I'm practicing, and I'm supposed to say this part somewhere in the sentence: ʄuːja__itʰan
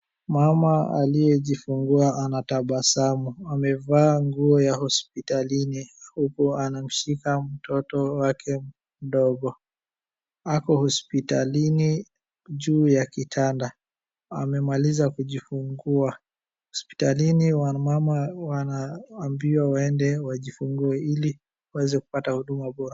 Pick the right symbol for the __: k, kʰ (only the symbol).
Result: k